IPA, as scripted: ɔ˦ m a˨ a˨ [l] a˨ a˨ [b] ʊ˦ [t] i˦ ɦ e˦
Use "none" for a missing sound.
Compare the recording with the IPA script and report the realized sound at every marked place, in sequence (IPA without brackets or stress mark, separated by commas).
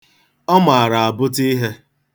ɾ, b, t